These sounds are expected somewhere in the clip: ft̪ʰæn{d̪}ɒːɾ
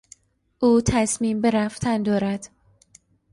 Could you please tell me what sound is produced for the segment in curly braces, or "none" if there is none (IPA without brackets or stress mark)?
d̪